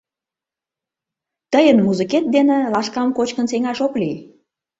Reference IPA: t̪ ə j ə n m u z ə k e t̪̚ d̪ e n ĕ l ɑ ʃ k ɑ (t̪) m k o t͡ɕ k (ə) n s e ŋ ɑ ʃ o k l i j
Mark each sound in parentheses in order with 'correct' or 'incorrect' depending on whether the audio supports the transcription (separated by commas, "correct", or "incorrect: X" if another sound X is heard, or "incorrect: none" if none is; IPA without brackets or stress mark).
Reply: incorrect: none, correct